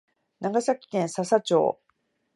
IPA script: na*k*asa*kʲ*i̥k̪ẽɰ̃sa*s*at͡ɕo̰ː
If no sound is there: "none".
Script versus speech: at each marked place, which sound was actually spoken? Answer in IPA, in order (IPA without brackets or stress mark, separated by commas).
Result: ɡ, kʲ, s